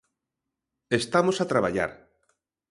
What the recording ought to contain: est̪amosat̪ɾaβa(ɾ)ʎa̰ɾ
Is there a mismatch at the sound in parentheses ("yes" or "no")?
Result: yes